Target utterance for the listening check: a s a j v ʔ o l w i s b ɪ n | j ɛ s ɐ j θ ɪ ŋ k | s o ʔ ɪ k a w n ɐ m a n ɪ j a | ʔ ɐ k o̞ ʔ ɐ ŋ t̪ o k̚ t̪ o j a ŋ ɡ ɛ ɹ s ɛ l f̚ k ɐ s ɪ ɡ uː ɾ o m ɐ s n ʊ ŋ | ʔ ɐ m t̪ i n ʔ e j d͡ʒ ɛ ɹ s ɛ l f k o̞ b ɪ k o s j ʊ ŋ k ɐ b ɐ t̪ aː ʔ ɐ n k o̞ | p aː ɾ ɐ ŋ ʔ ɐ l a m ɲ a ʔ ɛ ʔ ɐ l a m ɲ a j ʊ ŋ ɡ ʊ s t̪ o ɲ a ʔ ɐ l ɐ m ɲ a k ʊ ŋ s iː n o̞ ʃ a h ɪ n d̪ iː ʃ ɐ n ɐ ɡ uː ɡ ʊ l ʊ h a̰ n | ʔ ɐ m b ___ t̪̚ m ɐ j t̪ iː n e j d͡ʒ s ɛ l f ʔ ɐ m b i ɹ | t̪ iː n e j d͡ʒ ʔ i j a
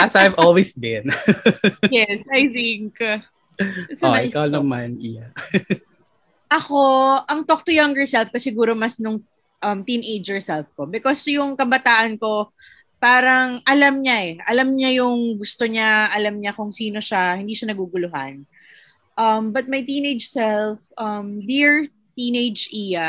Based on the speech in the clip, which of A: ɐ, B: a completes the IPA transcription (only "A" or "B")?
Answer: A